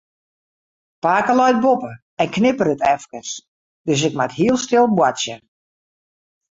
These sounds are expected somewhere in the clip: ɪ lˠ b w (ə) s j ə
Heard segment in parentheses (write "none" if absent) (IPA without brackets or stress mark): a